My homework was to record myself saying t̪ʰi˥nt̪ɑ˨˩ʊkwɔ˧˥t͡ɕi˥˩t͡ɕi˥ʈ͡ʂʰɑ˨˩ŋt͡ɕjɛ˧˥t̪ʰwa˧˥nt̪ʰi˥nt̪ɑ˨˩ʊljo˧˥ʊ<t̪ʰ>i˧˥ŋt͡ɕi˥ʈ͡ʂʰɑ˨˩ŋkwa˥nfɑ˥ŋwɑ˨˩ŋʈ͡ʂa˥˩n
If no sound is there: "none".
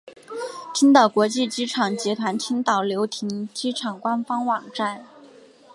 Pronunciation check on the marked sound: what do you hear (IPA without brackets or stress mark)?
t̪ʰ